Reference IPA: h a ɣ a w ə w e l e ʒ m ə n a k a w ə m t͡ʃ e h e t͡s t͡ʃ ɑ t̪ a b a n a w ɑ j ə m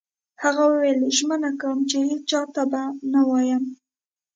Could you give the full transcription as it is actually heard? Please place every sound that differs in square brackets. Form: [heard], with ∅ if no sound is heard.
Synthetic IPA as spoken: h a ɣ a w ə w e l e ʒ m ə n a k a w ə m t͡ʃ e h e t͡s t͡ʃ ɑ t̪ a b a n a w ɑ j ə m